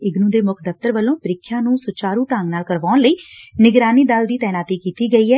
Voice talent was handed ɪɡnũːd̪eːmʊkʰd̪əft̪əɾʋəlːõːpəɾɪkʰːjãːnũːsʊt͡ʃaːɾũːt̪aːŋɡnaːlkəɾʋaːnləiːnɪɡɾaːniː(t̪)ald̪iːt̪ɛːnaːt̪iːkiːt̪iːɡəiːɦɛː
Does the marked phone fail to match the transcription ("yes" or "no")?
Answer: yes